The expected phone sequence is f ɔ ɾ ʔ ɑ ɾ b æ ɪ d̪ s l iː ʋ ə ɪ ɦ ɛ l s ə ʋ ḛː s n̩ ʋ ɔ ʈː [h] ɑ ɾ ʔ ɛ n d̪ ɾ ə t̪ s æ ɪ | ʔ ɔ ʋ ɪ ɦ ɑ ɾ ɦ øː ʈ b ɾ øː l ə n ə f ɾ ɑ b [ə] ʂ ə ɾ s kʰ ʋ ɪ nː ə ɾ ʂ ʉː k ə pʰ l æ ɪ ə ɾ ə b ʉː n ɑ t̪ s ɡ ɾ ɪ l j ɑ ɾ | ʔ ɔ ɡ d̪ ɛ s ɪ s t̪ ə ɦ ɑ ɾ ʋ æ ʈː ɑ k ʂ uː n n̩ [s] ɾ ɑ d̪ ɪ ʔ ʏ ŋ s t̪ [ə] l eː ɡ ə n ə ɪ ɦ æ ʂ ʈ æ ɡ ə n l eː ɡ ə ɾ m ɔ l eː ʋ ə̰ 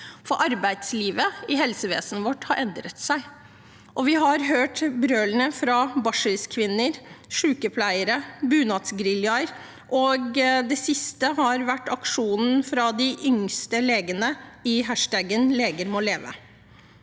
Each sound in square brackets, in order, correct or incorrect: correct, incorrect, incorrect, correct

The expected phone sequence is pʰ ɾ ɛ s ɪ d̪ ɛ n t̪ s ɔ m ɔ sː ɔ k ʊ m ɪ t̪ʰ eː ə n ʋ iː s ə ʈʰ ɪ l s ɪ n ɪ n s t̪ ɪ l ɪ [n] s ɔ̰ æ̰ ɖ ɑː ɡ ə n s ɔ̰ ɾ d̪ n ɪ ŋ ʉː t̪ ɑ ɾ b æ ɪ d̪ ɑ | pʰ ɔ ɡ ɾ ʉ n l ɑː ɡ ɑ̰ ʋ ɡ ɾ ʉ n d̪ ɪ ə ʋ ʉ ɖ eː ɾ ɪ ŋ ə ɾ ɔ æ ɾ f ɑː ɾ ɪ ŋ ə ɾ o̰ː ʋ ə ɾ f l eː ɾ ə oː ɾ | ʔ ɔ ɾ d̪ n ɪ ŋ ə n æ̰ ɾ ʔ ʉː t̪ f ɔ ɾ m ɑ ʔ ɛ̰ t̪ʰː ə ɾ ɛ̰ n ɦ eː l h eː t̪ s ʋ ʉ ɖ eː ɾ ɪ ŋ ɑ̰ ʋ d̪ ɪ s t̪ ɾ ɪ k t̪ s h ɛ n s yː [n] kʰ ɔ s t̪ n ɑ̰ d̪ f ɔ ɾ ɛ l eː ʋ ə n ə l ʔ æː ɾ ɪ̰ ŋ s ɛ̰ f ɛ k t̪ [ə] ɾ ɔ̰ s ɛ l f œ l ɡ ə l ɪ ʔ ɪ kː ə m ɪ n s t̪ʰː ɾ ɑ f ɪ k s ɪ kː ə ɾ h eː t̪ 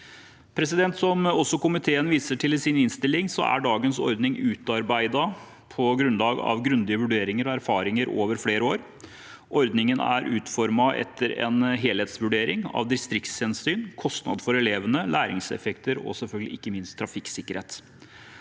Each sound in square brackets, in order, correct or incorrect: incorrect, correct, correct

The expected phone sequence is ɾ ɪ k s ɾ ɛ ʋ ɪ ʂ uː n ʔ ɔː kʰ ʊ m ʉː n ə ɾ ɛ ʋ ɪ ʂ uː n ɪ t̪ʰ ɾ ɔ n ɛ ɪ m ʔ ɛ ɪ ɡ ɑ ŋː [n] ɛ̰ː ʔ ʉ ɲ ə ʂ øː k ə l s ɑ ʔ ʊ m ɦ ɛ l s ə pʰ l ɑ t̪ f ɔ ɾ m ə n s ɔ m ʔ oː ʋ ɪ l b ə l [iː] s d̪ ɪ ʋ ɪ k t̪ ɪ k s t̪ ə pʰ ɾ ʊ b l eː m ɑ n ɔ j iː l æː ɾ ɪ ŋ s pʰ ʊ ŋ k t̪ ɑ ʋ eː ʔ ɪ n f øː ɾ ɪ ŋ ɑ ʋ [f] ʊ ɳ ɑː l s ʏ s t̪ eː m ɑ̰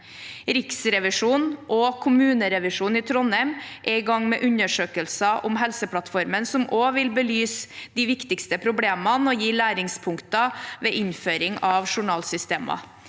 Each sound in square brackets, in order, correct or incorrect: incorrect, incorrect, incorrect

